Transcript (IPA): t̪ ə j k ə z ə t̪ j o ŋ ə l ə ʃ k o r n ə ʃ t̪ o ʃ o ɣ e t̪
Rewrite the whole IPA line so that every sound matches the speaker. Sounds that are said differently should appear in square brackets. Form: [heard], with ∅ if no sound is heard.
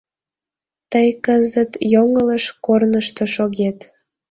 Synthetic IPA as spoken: t̪ ə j k ə z ə t̪ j o ŋ ə l ə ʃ k o r n ə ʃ t̪ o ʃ o ɣ e t̪